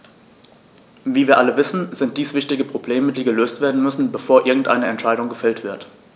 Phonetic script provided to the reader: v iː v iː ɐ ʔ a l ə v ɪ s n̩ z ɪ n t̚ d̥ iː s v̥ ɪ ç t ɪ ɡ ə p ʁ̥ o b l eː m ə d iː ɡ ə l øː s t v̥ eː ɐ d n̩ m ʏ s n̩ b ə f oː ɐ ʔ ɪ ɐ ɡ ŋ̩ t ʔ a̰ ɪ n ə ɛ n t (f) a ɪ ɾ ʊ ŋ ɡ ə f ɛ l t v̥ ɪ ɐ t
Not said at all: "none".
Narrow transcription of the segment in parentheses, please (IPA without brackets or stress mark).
ʃ